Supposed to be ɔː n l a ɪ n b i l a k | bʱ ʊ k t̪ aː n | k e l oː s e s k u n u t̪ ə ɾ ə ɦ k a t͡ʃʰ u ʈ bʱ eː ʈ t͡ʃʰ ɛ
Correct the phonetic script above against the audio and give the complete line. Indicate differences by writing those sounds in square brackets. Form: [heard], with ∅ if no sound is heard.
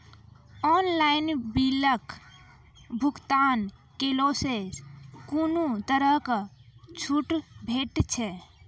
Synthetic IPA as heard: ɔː n l a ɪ n b i l [ə] k | bʱ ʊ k t̪ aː n | k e l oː s e s k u n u t̪ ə ɾ ə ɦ k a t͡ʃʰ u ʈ bʱ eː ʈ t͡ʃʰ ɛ